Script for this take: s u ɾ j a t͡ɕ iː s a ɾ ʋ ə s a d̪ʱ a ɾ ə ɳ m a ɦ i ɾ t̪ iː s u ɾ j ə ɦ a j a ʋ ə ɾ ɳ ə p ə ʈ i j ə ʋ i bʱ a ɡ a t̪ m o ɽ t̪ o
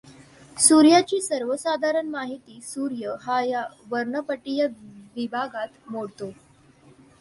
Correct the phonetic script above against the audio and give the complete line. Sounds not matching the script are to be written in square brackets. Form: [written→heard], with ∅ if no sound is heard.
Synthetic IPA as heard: s u ɾ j a t͡ɕ iː s [a→ə] ɾ ʋ ə s a d̪ʱ a ɾ ə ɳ m a ɦ i [ɾ→∅] t̪ iː s u ɾ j ə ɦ a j a ʋ ə ɾ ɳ ə p ə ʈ i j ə ʋ i bʱ a ɡ a t̪ m o ɽ t̪ o